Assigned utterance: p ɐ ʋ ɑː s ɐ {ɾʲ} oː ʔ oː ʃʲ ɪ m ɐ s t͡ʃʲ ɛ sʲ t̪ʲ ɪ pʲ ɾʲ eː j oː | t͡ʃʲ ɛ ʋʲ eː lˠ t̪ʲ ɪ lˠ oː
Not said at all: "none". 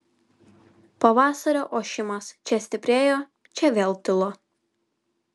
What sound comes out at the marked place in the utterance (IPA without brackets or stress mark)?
ɾʲ